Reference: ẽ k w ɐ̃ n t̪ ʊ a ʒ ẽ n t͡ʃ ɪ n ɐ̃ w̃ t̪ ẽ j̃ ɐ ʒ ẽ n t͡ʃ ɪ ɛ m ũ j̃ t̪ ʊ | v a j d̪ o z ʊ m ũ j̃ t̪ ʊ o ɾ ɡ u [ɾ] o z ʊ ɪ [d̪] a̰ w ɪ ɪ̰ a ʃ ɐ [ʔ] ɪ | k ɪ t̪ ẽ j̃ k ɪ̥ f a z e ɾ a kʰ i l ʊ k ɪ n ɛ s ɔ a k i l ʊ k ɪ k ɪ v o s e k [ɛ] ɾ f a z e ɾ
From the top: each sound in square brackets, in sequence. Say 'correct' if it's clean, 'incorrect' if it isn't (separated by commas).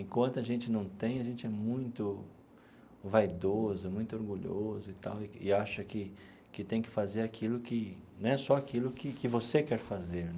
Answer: incorrect, incorrect, incorrect, correct